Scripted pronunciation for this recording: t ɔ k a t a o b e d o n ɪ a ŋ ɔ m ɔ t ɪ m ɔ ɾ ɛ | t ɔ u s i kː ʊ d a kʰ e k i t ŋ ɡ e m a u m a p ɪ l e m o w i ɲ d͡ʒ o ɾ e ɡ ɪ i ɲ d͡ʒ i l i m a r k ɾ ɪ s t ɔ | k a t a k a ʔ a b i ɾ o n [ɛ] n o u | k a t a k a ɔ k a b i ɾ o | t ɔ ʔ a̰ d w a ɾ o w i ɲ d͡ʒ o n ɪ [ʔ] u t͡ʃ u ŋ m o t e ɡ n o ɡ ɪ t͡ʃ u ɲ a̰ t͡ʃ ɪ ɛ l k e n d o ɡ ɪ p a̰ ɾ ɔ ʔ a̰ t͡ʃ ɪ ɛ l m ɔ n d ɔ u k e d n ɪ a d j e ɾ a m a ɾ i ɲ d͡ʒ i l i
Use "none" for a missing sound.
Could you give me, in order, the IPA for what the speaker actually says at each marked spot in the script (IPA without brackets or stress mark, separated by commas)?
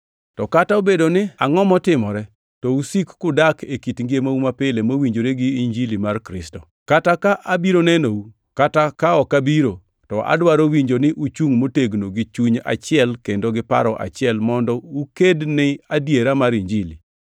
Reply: ɛ, ʔ